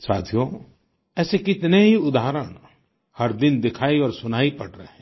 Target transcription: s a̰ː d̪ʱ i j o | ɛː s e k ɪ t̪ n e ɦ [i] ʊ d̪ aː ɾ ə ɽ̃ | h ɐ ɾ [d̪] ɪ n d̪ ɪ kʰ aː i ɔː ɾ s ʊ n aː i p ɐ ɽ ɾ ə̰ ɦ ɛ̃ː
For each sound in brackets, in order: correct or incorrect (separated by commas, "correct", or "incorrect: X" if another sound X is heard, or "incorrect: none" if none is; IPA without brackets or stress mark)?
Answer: correct, correct